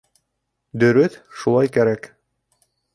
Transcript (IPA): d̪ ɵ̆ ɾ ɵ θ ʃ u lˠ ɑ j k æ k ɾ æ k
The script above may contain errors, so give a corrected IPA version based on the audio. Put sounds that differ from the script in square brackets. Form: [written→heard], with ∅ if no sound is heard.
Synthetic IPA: d̪ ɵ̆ ɾ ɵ θ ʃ u lˠ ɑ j k æ [k→∅] ɾ æ k